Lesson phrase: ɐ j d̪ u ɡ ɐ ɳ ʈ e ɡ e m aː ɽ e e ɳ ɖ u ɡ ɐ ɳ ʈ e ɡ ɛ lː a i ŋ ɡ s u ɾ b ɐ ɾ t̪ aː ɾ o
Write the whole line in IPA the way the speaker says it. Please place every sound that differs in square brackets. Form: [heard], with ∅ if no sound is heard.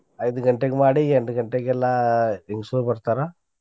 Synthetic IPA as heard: ɐ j d̪ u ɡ ɐ ɳ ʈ e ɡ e m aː ɽ [i] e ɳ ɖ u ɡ ɐ ɳ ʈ e ɡ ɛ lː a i ŋ ɡ s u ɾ b ɐ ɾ t̪ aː ɾ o